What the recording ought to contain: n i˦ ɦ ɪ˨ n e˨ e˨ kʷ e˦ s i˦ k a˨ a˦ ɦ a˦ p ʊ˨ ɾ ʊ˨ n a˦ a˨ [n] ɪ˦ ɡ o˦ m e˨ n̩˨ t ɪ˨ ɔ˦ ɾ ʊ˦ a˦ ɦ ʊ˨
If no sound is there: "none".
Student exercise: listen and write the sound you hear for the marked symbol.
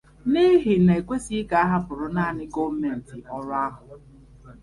n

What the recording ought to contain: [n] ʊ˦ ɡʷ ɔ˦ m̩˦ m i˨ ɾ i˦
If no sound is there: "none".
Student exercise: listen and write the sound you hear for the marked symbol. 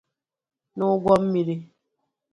n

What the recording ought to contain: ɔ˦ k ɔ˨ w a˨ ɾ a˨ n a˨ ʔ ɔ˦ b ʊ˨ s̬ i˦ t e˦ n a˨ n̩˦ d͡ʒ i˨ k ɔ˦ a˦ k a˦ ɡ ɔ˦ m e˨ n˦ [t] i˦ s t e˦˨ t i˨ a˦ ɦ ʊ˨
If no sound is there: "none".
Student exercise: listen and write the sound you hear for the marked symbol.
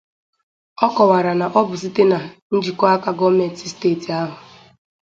t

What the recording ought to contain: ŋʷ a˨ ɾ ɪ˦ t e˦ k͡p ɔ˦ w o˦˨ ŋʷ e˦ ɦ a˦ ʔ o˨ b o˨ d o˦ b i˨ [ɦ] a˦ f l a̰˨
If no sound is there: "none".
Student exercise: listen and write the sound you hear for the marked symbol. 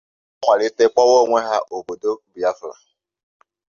none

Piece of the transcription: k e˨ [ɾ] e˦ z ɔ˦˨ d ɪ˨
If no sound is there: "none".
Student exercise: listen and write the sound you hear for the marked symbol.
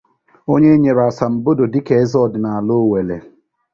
none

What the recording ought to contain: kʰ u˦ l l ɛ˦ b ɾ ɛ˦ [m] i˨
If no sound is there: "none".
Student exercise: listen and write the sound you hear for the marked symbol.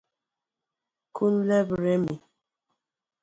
m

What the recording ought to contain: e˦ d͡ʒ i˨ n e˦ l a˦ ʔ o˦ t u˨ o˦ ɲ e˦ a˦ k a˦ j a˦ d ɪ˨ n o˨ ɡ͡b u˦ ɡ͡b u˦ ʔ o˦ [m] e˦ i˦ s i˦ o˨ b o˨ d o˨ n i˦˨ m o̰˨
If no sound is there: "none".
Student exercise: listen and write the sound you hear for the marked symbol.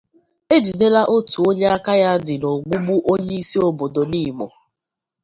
ɲ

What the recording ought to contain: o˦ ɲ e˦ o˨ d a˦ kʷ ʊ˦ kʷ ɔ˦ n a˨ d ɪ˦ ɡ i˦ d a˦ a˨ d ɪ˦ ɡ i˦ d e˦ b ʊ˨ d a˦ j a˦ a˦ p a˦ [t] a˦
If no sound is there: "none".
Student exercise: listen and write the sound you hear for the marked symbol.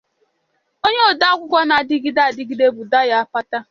t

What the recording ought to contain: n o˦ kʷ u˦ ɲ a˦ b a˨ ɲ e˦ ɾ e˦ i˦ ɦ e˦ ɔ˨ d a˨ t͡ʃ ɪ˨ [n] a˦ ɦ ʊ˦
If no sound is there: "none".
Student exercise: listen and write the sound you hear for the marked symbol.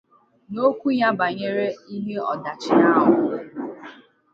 n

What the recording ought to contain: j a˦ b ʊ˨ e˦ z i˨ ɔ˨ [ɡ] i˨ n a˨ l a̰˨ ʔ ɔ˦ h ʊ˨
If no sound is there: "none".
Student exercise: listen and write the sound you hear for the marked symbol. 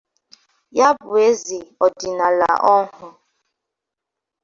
d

